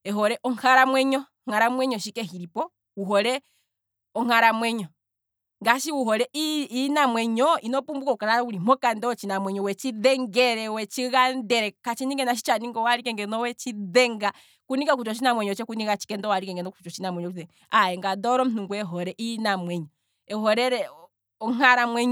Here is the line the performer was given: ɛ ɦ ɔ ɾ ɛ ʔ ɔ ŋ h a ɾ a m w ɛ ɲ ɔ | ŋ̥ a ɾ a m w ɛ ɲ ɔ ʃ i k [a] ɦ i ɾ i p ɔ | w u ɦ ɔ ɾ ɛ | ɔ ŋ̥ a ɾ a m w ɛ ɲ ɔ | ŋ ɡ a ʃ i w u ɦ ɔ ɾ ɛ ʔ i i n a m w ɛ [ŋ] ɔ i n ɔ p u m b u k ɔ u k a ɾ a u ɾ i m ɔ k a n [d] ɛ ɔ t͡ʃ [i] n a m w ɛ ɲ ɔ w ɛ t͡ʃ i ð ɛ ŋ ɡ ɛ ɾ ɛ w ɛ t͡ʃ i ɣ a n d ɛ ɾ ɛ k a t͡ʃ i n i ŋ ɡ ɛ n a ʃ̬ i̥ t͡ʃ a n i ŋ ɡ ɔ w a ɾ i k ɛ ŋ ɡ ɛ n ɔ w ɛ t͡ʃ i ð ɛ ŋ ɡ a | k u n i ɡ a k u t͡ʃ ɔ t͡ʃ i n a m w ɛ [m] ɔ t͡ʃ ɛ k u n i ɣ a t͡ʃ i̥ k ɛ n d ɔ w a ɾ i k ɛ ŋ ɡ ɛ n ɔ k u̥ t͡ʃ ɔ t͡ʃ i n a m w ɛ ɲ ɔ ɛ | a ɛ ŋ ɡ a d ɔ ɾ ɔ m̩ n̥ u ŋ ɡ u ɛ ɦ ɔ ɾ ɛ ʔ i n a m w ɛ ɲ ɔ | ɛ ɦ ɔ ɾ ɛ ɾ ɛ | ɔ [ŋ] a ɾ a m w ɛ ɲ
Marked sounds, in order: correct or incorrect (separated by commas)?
incorrect, incorrect, correct, correct, incorrect, correct